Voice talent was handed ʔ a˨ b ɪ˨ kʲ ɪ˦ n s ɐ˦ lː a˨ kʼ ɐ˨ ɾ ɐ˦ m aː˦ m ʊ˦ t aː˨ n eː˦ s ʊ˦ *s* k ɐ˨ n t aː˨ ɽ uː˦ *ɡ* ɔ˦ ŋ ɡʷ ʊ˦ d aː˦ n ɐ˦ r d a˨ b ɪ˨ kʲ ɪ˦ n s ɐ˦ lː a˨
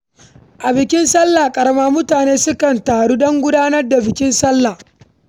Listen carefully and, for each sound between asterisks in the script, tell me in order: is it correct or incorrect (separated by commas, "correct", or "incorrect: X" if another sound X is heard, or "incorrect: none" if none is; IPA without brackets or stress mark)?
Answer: incorrect: none, incorrect: d